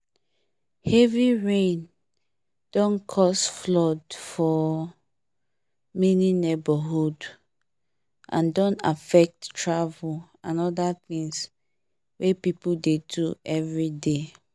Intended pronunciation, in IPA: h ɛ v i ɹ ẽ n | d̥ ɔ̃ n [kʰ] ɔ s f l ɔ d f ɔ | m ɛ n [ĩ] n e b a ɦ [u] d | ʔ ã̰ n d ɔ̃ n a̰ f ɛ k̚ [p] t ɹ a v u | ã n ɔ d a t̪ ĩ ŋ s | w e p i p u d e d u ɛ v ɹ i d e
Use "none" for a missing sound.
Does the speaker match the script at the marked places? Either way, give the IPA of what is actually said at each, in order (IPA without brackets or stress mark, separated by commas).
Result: kʰ, i, u, t